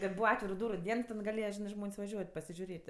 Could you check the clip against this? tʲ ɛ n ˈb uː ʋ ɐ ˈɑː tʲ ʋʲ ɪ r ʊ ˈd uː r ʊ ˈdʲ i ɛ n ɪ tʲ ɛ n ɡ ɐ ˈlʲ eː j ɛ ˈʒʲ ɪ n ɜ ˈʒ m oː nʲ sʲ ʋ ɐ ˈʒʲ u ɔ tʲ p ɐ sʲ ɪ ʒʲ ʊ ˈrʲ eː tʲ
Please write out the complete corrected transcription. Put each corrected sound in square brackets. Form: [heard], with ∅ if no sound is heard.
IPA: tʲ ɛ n ˈb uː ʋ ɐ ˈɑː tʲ ʋʲ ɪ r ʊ ˈd uː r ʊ ˈdʲ i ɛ n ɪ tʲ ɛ n ɡ ɐ ˈlʲ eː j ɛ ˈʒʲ ɪ n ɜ ˈʒ m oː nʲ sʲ ʋ ɐ ˈʒʲ u ɔ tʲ p ɐ sʲ ɪ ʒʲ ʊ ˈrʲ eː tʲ